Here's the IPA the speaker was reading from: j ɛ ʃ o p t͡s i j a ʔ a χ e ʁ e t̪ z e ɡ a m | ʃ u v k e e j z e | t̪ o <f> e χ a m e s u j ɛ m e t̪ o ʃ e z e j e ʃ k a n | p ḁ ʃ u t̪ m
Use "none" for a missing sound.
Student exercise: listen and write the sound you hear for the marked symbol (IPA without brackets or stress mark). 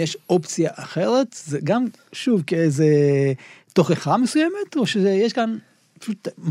χ